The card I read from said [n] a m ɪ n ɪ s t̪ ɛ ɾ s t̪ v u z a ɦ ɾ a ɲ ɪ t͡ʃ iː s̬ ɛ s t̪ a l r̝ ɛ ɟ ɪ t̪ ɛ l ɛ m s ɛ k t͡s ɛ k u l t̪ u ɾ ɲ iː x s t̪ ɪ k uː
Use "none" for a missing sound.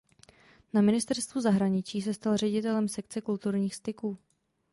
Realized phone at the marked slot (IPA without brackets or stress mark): n